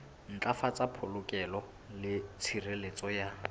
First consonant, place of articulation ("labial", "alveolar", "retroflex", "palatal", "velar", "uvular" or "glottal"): alveolar